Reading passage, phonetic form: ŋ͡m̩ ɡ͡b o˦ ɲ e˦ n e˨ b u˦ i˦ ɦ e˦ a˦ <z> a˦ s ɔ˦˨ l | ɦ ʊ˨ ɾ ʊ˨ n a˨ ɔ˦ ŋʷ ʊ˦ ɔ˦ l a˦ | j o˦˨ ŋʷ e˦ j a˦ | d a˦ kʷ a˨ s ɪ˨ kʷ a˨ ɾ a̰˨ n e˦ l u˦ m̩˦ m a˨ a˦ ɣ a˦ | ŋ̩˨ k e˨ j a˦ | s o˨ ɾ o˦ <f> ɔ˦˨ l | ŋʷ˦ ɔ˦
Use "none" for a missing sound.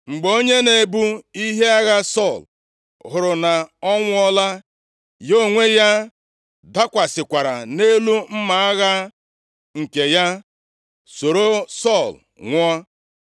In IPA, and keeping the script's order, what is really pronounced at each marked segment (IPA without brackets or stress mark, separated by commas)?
ɣ, s